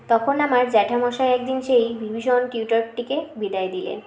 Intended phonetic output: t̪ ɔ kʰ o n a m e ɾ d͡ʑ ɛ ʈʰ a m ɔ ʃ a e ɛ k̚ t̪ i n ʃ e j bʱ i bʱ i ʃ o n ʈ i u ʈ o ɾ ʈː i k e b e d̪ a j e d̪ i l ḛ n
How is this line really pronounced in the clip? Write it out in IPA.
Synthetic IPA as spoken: t̪ ɔ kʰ o n a m a ɾ d͡ʑ ɛ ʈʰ a m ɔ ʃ a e ɛ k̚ d̪ i n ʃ e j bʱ i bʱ i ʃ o n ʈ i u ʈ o ɾ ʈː i k e b i d̪ a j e d̪ i l ḛ n